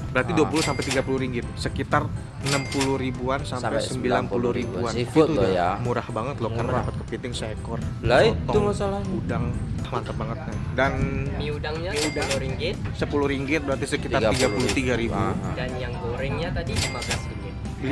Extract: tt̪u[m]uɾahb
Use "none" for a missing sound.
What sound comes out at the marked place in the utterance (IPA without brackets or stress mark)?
m